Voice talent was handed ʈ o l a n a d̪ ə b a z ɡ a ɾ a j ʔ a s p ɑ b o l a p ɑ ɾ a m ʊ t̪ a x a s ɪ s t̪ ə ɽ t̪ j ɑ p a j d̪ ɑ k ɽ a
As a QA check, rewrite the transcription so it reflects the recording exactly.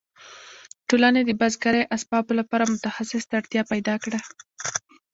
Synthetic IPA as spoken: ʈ o l a n e d̪ ə b a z ɡ a ɾ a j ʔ a s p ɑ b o l a p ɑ ɾ a m ʊ t̪ a x a s ɪ s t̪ a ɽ t̪ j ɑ p a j d̪ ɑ k ɽ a

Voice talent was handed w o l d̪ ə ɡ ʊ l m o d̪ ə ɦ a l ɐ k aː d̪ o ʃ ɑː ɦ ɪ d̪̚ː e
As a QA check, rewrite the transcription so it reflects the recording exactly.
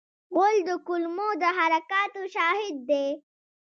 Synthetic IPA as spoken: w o l d̪ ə k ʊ l m o d̪ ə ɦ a ɾ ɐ k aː t̪ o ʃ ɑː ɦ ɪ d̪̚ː e

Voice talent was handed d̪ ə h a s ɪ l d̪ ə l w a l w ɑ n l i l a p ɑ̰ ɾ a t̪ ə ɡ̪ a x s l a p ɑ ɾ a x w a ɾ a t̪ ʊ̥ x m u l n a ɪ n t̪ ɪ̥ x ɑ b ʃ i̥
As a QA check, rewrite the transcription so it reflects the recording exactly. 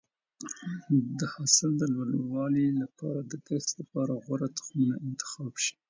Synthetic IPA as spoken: d̪ ə h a s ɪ l d̪ ə l w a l w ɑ l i l a p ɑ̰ ɾ a d̪ ə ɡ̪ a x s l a p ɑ ɾ a ɣ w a ɾ a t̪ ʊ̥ x m u n a ɪ n t̪ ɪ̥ x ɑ b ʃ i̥

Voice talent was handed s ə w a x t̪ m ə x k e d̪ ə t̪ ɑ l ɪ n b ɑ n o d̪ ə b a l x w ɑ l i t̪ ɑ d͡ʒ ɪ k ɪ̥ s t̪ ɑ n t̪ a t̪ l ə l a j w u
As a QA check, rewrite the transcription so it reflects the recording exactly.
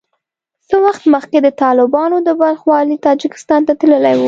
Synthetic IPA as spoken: s ə w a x t̪ m ə x k e d̪ ə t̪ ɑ l ɪ b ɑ n o d̪ ə b a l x w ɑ l i t̪ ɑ d͡ʒ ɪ k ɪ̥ s t̪ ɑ n t̪ a t̪ l ə l a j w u

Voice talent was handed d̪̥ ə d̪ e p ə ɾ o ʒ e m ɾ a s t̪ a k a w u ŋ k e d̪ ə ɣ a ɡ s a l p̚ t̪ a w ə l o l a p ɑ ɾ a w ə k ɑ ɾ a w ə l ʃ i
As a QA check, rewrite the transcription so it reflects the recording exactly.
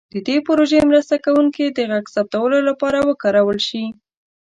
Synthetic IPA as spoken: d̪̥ ə d̪ e p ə ɾ o ʒ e m ɾ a s t̪ a k a w u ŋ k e d̪ ə ɣ a ɡ s a p̚ t̪ a w ə l o l a p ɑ ɾ a w ə k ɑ ɾ a w ə l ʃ i

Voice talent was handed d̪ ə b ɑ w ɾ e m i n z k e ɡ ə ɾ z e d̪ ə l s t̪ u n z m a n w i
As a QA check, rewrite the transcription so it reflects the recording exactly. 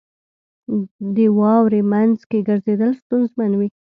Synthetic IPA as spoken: d̪ ə w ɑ w ɾ e m a n z k e ɡ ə ɾ z e d̪ ə l s t̪ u n z m a n w i

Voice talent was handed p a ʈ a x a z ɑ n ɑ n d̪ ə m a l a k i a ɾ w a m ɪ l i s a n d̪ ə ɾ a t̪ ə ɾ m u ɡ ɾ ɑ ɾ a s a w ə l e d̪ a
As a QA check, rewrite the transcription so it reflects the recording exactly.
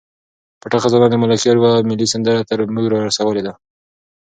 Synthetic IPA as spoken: p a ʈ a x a z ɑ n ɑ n d̪ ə m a l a k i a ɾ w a m ɪ l i s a n d̪ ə ɾ a t̪ ə ɾ m u ɡ ɾ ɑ ɾ a s a w ə l e d̪ a

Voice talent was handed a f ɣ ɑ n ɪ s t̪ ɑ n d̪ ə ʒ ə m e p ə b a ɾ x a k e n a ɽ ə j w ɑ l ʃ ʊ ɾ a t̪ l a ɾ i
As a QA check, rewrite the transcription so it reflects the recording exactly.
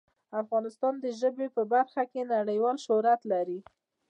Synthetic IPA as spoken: a f ɣ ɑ n ɪ s t̪ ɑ n d̪ ə ʒ ə b e p ə b a ɾ x a k e n a ɽ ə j w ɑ l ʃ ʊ ɾ a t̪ l a ɾ i

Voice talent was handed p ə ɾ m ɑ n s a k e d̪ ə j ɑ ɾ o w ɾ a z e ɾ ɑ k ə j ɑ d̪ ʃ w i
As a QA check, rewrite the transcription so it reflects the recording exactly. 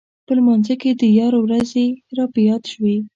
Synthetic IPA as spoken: p ə l m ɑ n z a k e d̪ ə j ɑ ɾ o w ɾ a z e ɾ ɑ p ə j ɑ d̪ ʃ w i

